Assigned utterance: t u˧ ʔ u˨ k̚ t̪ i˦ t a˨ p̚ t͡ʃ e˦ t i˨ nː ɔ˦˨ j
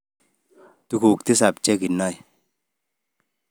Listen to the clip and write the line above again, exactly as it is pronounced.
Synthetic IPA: t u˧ k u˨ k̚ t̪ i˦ s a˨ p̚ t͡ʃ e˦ k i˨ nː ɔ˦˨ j